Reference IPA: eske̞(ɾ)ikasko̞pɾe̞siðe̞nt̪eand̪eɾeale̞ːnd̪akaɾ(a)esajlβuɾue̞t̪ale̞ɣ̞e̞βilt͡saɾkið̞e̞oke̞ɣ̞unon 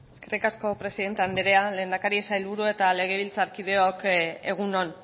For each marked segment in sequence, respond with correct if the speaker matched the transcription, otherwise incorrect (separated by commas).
incorrect, incorrect